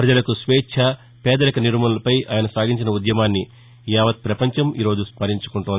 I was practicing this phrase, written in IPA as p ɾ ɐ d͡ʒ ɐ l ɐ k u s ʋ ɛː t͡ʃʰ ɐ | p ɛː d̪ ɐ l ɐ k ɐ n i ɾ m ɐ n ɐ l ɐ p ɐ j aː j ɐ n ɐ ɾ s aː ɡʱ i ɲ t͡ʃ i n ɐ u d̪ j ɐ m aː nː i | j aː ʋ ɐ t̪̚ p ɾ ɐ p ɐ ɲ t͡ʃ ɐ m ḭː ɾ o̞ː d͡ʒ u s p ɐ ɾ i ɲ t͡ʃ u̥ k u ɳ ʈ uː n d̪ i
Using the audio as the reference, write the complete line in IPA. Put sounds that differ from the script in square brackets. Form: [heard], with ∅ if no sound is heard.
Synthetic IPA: p ɾ ɐ d͡ʒ ɐ l ɐ k u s ʋ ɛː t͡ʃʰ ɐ | p ɛː d̪ ɐ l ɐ k ɐ n i ɾ m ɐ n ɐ l ɐ p ɐ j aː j ɐ n ɐ [∅] s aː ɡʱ i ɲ t͡ʃ i n ɐ u d̪ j ɐ m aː nː i | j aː ʋ ɐ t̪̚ p ɾ ɐ p ɐ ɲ t͡ʃ ɐ m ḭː ɾ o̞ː d͡ʒ u s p ɐ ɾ i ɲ t͡ʃ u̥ k u ɳ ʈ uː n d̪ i